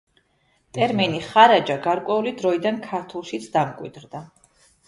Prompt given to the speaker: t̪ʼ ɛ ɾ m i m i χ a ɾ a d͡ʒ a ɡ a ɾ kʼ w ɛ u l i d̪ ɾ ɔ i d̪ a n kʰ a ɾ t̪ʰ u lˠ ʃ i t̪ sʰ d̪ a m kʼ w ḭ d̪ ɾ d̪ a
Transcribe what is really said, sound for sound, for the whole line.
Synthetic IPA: t̪ʼ ɛ ɾ m i n i χ a ɾ a d͡ʒ a ɡ a ɾ kʼ w ɛ u l i d̪ ɾ ɔ i d̪ a n kʰ a ɾ t̪ʰ u lˠ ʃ i t̪ sʰ d̪ a m kʼ w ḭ d̪ ɾ d̪ a